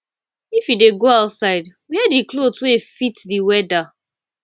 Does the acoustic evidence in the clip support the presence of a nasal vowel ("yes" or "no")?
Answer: no